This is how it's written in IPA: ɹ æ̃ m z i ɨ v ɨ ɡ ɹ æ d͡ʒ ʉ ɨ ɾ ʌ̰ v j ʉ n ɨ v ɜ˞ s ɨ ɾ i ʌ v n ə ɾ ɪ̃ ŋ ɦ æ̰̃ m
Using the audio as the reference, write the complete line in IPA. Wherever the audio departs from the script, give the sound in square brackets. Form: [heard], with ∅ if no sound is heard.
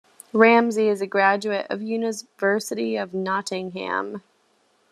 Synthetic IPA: ɹ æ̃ m z i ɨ [z] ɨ ɡ ɹ æ d͡ʒ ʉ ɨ ɾ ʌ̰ v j ʉ n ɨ v ɜ˞ s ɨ ɾ i ʌ v n [ɑ] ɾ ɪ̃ ŋ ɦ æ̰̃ m